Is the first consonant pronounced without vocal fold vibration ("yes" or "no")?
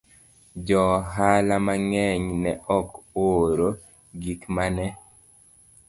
no